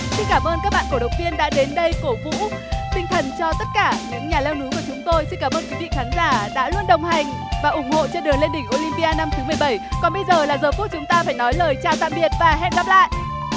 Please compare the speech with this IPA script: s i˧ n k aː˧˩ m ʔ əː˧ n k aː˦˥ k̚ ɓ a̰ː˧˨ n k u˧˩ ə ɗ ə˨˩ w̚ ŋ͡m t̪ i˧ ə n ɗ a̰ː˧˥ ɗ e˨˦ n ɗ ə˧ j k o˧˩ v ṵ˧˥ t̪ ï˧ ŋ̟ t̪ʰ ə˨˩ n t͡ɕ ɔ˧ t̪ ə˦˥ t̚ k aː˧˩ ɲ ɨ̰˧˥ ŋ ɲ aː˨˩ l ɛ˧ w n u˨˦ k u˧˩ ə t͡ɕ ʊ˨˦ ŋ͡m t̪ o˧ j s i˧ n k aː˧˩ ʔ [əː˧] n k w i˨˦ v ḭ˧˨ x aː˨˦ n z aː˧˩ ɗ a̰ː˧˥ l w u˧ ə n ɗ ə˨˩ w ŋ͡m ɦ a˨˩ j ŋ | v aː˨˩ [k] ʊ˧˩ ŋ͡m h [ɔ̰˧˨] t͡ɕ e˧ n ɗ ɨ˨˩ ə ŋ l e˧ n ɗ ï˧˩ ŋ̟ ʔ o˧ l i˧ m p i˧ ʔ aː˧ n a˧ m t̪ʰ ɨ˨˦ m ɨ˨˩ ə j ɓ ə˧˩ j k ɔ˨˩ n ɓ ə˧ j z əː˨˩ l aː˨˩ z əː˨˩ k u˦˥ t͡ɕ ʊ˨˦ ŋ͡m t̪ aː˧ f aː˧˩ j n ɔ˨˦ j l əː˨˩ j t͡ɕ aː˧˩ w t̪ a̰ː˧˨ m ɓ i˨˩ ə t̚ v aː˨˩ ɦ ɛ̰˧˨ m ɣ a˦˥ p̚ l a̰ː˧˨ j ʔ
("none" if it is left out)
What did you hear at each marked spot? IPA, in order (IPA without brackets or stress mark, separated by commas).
əː˧, ʔ, o̰˧˨